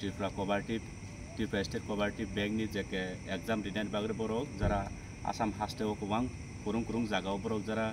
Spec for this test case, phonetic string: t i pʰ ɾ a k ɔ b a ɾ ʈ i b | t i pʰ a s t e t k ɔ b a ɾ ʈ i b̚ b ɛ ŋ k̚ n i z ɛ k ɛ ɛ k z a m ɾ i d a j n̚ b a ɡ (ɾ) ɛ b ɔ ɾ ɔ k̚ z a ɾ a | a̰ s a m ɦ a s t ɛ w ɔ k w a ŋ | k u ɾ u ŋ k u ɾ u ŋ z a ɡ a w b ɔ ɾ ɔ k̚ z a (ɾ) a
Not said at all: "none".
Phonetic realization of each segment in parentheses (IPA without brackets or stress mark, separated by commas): ɾ, ɾ